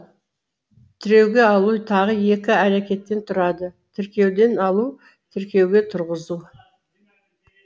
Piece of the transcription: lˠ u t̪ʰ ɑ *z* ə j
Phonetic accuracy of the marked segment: incorrect: ʁ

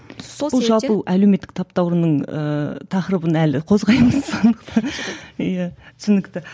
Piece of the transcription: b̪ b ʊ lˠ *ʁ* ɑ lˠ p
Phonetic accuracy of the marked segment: incorrect: ʒ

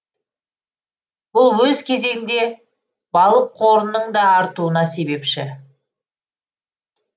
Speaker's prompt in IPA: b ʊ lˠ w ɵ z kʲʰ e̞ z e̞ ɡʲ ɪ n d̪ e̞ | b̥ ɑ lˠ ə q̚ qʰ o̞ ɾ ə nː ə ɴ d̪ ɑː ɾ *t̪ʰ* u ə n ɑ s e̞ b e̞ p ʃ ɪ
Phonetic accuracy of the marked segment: incorrect: t̪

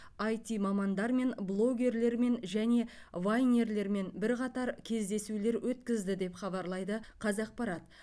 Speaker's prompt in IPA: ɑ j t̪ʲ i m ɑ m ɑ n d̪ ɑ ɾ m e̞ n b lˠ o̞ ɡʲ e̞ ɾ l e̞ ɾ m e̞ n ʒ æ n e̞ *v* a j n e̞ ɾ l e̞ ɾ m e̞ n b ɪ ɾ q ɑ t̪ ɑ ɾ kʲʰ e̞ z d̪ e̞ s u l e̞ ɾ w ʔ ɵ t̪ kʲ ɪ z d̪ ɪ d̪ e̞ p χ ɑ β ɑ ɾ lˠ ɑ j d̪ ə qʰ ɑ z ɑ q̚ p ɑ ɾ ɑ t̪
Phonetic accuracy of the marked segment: correct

